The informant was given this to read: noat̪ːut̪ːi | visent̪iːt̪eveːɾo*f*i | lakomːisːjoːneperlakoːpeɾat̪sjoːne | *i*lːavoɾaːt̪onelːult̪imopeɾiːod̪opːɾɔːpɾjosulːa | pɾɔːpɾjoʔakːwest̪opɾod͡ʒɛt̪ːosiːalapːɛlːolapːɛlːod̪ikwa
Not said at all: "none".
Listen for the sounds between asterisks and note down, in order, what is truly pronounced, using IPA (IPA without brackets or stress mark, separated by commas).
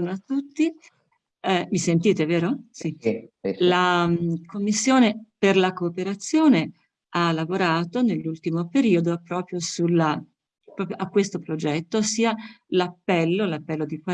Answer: s, a